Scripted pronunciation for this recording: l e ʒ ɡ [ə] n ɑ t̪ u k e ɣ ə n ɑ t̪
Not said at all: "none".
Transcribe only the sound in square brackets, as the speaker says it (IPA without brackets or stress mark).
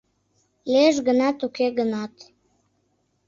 ə